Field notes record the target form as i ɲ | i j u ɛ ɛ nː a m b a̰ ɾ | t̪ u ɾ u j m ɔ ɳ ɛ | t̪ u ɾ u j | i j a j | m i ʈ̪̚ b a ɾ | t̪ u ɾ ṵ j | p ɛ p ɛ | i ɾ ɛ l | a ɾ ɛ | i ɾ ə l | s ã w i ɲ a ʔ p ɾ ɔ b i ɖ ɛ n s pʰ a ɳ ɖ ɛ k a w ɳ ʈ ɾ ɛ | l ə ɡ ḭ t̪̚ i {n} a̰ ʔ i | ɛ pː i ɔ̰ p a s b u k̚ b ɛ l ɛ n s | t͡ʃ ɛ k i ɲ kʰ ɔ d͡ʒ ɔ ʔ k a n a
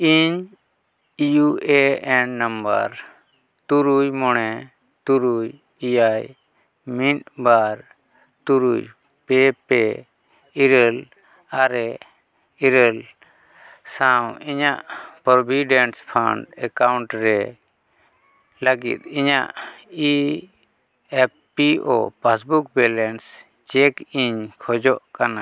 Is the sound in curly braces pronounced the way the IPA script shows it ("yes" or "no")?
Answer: no